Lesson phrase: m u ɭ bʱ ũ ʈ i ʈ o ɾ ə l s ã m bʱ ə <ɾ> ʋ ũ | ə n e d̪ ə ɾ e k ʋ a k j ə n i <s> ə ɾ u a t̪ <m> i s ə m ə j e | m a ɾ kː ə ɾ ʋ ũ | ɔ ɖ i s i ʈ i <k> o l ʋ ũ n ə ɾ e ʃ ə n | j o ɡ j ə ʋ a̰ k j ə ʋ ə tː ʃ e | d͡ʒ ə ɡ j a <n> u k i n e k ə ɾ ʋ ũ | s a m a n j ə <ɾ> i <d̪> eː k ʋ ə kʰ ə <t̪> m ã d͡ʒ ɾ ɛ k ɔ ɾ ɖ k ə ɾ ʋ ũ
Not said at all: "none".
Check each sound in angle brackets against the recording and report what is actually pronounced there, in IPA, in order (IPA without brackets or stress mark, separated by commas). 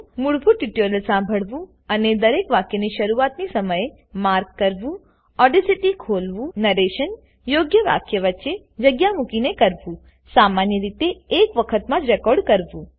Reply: ɭ, ʃ, n, kʰ, m, ɾ, t̪, t̪